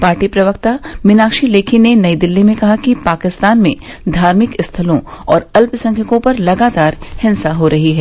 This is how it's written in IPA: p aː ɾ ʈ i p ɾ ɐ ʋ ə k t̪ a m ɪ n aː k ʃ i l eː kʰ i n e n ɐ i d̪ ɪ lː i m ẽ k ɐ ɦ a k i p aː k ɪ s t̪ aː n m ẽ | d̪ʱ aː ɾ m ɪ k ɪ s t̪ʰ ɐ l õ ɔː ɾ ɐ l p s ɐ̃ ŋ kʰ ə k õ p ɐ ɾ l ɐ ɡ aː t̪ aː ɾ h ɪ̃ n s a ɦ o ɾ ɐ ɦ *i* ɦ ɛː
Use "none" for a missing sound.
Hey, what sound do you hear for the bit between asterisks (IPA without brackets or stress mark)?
i